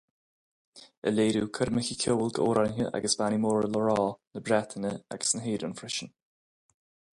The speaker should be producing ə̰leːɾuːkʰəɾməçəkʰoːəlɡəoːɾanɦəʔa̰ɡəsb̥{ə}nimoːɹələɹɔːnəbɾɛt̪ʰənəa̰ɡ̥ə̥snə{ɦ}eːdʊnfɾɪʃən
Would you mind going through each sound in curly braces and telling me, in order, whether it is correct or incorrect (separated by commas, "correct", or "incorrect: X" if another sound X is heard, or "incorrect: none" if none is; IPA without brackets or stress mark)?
incorrect: a, correct